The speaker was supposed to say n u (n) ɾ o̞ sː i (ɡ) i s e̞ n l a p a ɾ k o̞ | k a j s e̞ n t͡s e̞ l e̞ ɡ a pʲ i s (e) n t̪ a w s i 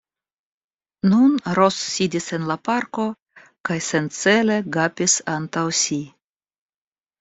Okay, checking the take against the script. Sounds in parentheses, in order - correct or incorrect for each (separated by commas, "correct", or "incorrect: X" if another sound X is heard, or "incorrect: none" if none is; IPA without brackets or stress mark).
correct, incorrect: d, incorrect: a